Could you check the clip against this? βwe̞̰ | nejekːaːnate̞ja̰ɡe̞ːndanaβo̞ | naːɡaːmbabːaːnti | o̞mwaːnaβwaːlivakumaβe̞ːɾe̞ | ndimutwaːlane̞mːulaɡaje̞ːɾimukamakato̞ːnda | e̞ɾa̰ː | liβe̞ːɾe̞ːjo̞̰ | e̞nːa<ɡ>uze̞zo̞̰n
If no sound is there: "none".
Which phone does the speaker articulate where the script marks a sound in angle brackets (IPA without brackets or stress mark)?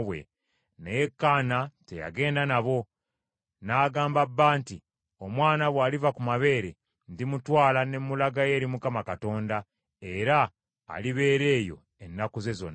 k